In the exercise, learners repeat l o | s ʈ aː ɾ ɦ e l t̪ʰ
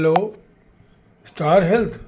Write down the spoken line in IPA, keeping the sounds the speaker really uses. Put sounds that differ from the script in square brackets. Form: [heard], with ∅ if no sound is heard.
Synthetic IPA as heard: l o | s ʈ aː ɾ ɦ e l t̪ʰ